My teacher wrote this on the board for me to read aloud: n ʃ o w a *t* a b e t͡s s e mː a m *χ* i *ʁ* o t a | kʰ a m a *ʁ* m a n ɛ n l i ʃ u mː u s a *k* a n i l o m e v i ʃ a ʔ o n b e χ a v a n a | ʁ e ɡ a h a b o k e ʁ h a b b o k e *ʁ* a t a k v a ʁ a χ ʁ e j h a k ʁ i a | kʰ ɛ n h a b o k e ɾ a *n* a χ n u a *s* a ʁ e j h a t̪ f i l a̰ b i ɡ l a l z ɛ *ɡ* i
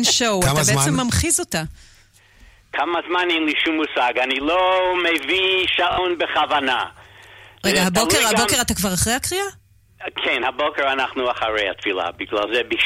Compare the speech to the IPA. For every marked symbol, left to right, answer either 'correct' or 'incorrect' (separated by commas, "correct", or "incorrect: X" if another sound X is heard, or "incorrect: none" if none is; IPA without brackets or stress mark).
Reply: correct, correct, incorrect: z, incorrect: z, incorrect: ɡ, correct, correct, incorrect: χ, incorrect: b